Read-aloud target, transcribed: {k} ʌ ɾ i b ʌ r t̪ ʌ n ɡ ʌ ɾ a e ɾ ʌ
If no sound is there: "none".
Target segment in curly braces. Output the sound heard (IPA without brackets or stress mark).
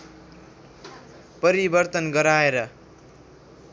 p